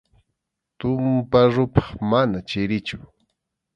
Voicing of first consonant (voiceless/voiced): voiceless